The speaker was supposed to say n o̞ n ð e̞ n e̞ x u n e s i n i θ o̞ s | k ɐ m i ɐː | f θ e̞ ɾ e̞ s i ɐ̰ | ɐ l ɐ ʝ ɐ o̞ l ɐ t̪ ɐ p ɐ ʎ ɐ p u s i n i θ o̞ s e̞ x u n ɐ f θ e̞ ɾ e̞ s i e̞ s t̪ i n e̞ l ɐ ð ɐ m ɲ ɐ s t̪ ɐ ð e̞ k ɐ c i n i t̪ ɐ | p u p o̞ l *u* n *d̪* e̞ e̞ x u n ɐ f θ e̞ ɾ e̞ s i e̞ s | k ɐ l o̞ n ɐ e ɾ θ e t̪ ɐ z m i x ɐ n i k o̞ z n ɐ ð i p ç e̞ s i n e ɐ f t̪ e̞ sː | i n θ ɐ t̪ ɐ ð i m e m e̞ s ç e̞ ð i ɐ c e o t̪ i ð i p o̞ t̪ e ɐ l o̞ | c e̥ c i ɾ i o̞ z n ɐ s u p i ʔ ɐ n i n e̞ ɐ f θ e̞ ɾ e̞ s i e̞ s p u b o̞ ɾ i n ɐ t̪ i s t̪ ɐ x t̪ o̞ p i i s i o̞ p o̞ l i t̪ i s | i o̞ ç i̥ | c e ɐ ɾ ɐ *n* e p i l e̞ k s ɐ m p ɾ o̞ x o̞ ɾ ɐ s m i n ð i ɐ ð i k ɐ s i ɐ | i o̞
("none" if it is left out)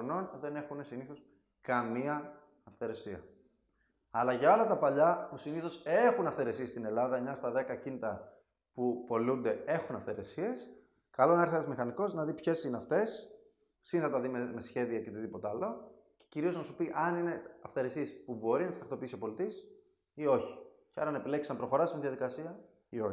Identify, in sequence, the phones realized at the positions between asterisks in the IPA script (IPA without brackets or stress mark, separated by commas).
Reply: u, d̪, n